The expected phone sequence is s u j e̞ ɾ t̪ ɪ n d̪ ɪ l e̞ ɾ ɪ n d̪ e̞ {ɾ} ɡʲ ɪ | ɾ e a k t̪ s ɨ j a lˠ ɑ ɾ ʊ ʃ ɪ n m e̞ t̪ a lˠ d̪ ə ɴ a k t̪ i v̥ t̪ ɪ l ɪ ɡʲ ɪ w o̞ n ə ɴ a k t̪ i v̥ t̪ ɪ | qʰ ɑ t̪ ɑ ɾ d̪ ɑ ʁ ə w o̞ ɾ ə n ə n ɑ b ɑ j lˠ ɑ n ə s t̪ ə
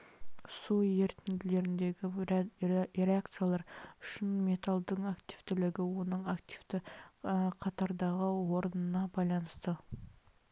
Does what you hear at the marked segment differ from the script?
yes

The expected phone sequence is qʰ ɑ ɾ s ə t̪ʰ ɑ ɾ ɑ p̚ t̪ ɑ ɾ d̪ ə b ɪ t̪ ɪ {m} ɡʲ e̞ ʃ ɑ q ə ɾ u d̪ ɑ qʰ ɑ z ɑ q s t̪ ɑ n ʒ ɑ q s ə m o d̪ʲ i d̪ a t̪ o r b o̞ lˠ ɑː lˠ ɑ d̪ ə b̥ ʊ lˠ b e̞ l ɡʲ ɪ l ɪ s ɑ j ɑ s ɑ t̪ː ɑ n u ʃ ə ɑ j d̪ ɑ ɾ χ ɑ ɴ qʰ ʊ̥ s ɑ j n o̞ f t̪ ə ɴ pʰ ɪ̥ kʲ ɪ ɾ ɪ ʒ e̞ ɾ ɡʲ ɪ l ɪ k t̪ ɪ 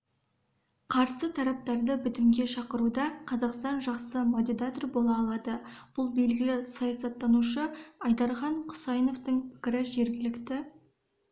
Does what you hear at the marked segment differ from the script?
no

